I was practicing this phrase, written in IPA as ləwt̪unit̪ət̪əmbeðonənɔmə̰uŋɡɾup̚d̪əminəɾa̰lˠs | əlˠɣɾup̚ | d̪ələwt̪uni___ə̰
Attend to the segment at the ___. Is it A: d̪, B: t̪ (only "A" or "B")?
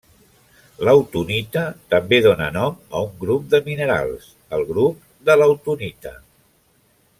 B